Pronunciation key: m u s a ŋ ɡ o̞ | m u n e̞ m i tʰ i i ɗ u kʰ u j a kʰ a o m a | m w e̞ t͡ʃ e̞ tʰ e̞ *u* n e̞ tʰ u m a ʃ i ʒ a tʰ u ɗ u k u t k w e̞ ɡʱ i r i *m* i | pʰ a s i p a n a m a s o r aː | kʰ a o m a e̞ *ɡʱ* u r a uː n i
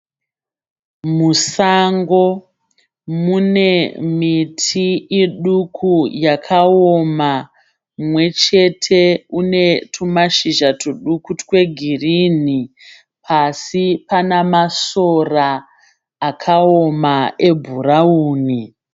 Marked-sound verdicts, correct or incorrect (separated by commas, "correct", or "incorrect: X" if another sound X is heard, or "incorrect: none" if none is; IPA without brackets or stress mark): correct, incorrect: n, incorrect: bʱ